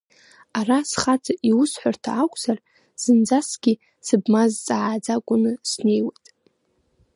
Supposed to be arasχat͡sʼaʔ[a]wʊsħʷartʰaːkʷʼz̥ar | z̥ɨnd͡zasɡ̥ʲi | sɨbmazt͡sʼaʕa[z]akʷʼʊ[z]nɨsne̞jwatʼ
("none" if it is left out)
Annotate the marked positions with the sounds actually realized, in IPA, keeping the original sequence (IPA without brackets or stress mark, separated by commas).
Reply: i, d͡z, none